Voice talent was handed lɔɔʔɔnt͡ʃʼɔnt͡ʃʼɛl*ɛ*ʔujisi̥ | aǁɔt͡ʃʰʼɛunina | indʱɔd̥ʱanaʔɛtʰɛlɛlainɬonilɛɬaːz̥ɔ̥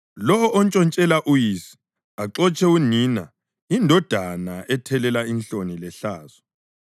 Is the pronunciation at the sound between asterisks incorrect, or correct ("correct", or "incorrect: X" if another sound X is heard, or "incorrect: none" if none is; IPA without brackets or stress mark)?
incorrect: a